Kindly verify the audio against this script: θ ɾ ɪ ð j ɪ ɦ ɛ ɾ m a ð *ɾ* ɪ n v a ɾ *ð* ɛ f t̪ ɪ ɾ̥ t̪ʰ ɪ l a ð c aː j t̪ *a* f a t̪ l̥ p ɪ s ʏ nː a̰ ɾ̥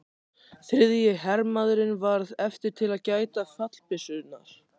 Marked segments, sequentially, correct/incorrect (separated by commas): correct, correct, correct